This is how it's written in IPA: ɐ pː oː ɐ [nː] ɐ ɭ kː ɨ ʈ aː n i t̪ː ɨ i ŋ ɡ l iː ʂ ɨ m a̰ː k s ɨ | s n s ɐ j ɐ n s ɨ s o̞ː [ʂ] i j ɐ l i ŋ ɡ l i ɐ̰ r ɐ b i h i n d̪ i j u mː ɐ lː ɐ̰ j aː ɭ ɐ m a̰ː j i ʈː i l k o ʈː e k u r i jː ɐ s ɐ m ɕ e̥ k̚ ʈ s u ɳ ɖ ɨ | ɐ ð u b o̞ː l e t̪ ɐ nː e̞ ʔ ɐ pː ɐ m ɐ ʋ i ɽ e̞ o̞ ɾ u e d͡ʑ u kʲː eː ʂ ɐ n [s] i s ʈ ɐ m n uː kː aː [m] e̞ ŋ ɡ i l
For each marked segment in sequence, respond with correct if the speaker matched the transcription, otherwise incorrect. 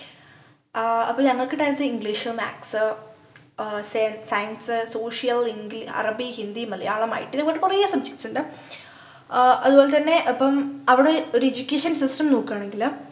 incorrect: ŋː, correct, correct, incorrect: ɳ

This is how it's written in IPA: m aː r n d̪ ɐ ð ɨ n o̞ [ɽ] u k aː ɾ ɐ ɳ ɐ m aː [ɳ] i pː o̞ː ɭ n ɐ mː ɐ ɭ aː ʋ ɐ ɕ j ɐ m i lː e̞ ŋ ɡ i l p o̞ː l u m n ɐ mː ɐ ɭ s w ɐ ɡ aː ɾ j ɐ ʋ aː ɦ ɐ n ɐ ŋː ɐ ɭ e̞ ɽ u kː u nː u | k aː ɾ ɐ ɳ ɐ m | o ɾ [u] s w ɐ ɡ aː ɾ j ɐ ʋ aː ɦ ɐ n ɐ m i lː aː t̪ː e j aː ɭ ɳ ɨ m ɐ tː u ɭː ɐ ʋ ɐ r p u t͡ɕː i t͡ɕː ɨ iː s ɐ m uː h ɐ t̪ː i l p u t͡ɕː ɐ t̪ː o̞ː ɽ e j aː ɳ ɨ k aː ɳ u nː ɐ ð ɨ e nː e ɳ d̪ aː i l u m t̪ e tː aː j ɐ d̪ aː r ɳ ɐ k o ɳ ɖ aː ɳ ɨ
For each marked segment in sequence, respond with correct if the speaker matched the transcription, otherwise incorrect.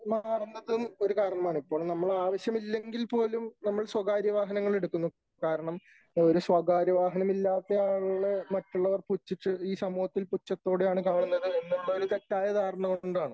incorrect: ɾ, correct, correct

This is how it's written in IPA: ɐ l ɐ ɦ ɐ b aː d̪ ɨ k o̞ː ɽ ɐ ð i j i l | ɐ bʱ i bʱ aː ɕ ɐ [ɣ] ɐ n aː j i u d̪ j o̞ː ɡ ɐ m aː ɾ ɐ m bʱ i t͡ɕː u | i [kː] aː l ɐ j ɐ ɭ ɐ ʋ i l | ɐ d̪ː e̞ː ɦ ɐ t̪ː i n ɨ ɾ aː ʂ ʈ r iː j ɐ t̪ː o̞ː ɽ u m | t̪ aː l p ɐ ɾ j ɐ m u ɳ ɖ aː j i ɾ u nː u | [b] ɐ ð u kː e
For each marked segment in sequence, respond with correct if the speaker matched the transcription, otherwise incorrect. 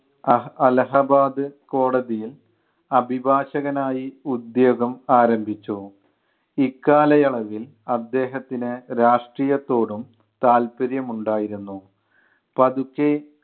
correct, correct, incorrect: p

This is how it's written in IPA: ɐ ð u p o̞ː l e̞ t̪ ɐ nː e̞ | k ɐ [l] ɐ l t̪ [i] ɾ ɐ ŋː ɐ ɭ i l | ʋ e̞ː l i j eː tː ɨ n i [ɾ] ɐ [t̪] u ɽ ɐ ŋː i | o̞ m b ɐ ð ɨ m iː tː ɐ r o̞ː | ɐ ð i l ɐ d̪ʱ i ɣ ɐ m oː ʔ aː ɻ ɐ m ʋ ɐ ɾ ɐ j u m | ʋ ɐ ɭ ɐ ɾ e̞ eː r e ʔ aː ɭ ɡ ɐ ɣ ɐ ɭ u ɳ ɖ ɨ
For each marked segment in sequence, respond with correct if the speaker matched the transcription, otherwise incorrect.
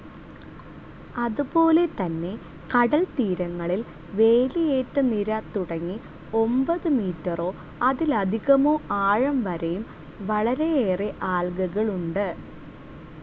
incorrect: ɽ, incorrect: iː, correct, correct

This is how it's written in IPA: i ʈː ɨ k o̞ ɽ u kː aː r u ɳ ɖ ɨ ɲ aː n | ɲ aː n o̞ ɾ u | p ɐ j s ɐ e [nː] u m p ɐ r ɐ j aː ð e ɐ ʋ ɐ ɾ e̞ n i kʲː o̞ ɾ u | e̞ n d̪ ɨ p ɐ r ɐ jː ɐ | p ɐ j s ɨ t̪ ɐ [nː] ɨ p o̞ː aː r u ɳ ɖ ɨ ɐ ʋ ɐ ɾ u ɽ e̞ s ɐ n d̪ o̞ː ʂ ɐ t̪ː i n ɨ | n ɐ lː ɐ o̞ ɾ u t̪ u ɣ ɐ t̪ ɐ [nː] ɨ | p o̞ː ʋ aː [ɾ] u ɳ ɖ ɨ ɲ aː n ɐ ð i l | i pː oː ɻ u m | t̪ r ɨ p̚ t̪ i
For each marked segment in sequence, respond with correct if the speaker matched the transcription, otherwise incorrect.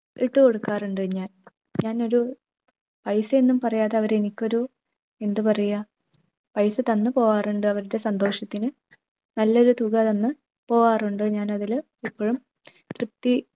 correct, correct, correct, incorrect: r

